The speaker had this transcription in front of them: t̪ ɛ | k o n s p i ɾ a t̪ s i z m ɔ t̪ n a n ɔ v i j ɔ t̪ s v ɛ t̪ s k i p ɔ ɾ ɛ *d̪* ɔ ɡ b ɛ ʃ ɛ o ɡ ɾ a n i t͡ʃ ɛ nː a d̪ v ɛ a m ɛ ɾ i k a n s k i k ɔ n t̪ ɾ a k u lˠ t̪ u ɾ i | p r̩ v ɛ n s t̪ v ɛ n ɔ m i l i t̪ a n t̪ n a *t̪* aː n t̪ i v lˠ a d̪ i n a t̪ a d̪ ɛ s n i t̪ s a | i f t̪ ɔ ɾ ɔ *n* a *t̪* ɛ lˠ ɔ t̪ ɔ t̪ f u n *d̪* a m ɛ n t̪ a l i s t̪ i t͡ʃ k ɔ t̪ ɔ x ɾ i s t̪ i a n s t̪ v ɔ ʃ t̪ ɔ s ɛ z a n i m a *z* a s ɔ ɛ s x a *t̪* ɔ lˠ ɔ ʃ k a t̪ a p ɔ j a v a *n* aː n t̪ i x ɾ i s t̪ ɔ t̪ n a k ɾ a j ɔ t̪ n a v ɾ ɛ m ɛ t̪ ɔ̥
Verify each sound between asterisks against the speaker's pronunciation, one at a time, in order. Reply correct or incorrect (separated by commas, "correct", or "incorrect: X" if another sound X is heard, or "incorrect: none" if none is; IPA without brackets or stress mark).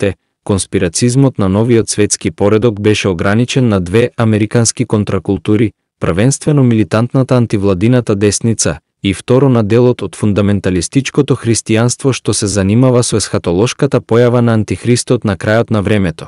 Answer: correct, correct, correct, incorrect: d̪, correct, incorrect: v, correct, correct